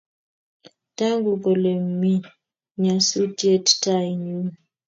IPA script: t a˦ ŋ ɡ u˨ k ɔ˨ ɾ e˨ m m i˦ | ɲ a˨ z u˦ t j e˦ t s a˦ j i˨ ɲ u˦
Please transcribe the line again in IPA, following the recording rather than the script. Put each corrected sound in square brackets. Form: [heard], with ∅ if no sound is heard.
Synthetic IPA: t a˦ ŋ ɡ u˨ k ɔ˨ [l] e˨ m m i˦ | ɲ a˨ [s] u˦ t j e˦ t [t] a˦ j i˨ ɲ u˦